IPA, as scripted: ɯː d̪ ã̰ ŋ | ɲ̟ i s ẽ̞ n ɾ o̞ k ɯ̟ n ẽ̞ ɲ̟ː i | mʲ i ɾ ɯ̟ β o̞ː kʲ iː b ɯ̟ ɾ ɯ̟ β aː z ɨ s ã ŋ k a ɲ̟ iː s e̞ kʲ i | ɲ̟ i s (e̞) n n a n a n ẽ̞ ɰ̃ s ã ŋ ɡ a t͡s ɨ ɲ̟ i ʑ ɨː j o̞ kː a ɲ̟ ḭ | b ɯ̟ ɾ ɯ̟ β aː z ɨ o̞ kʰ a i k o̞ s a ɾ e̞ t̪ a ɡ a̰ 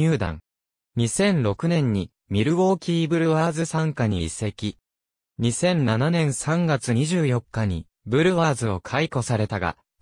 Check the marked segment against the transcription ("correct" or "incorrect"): incorrect